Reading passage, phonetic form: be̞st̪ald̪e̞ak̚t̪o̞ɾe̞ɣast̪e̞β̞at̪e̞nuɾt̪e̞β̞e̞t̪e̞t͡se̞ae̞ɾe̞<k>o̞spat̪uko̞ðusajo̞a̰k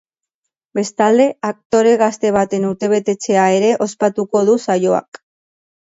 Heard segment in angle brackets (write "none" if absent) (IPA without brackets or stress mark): ʔ